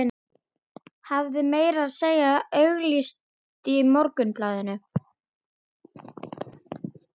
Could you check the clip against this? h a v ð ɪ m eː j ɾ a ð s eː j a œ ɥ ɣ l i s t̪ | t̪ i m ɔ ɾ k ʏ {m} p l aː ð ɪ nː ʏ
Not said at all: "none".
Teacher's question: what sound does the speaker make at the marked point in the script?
n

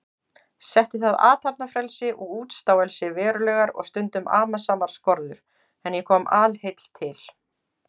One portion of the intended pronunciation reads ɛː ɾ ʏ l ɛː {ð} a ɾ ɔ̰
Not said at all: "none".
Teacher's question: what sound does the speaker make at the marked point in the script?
ɣ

